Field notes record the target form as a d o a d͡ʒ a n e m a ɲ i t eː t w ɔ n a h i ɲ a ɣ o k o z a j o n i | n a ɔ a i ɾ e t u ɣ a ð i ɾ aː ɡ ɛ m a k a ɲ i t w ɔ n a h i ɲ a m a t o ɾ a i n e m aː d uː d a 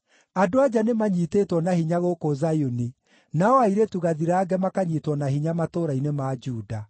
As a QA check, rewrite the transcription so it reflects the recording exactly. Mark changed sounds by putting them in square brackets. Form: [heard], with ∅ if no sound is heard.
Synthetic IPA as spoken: a d o a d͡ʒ a n e m a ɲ i t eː t w ɔ n a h i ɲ a ɣ o k o z a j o n i | n a ɔ a i ɾ e t u ɣ a ð i ɾ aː ɡ ɛ m a k a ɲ i t w ɔ n a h i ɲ a m a t o ɾ a i n e m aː [d͡ʒ] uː d a